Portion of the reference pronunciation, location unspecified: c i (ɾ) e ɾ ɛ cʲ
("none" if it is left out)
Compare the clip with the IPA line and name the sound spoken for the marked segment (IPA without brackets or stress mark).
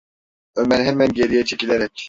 l